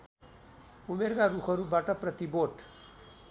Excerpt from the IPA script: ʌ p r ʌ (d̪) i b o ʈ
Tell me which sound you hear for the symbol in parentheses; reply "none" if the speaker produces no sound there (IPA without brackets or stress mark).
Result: t̪